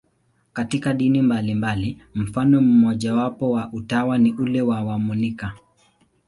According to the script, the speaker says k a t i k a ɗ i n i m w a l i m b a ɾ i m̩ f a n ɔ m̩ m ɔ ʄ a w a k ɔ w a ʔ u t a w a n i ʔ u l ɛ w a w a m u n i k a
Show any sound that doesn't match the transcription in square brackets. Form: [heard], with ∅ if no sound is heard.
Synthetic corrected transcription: k a t i k a ɗ i n i m [b] a l i m b a [l] i m̩ f a n ɔ m̩ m ɔ ʄ a w a [p] ɔ w a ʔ u t a w a n i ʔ u l ɛ w a w a m u n i k a

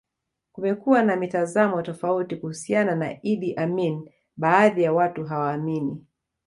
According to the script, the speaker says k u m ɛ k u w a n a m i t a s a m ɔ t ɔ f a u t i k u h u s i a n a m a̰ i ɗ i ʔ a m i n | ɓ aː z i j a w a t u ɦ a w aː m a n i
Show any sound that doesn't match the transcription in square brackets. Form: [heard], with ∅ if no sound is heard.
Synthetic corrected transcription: k u m ɛ k u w a n a m i t a [z] a m ɔ t ɔ f a u t i k u h u s i a n a [n] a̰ i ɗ i ʔ a m i n | ɓ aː [ð] i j a w a t u ɦ a w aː m [i] n i

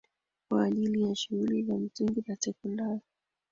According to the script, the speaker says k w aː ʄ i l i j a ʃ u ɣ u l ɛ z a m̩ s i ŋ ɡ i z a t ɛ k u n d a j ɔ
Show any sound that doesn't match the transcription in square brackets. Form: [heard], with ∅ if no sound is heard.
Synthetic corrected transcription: k w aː ʄ i l i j a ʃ u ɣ u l [i] z a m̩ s i ŋ ɡ i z a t ɛ k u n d a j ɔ

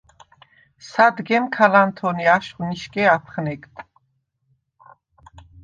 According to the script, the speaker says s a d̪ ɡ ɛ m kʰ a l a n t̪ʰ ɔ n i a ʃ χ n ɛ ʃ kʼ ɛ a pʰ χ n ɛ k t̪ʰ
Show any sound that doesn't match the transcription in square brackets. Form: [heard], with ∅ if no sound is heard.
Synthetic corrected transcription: s a d̪ ɡ ɛ m kʰ a l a n t̪ʰ ɔ n i a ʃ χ n [i] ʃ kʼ ɛ a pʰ χ n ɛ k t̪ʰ

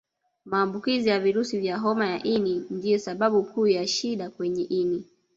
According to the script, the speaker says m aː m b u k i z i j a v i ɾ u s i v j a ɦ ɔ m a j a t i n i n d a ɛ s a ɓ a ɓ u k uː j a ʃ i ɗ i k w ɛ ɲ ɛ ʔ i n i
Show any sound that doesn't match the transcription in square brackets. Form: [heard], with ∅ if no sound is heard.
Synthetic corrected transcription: m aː m b u k i z i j a v i ɾ u s i v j a ɦ ɔ m a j a [ʔ] i n i n d [i] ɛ s a ɓ a ɓ u k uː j a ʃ i ɗ [a] k w ɛ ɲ ɛ ʔ i n i

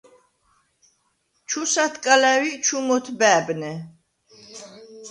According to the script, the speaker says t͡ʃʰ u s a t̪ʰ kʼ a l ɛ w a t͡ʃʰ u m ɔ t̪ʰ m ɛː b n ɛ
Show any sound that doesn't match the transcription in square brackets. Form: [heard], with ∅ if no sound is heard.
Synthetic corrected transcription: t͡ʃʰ u s a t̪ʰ kʼ a l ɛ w [i] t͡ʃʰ u m ɔ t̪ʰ [b] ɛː b n ɛ

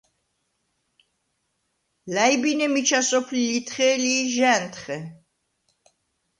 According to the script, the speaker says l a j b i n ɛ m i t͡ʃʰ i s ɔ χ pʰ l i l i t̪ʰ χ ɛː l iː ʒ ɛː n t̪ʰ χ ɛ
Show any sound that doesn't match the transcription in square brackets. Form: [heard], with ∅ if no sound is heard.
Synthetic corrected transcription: l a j b i n ɛ m i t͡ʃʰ [a] s ɔ [∅] pʰ l i l i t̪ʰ χ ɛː l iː ʒ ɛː n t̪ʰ χ ɛ

